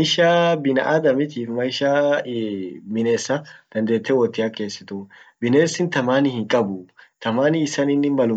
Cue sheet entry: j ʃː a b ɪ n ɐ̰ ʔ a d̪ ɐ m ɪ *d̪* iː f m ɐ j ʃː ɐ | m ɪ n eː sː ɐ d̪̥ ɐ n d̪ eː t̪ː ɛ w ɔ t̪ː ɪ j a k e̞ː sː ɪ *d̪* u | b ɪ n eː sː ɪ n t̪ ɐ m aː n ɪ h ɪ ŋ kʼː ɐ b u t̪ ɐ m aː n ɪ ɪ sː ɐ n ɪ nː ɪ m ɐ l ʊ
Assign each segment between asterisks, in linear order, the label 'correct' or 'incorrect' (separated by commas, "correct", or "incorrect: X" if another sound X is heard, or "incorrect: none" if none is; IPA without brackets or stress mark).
incorrect: t̪, incorrect: t̪